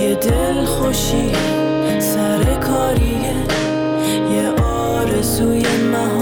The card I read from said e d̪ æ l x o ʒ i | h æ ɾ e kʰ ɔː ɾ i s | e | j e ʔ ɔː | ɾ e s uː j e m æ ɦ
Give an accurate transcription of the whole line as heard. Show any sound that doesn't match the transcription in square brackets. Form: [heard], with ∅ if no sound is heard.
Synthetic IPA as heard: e d̪ [e] l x o [ʃ] i | [s] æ ɾ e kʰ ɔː ɾ i [∅] | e | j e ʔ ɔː | ɾ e [z] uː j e m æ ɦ